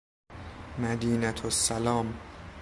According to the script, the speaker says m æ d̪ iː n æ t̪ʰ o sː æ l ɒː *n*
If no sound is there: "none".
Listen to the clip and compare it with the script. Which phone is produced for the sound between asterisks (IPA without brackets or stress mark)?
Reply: m